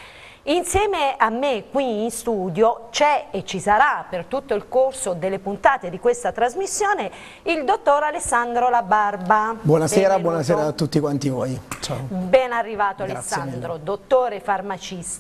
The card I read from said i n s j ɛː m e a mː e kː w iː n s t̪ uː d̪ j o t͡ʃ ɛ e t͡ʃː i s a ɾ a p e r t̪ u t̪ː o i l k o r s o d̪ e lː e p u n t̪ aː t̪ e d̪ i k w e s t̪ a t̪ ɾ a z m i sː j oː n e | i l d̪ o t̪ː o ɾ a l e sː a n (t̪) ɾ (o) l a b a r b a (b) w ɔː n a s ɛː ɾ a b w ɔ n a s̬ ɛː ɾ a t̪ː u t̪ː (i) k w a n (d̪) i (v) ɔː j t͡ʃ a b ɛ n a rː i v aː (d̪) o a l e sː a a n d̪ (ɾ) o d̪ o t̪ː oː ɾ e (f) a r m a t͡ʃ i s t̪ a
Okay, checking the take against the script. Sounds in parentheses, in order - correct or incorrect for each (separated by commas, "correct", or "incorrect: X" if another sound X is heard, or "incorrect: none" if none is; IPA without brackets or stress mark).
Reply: incorrect: d̪, correct, correct, correct, incorrect: t̪, correct, incorrect: t̪, correct, correct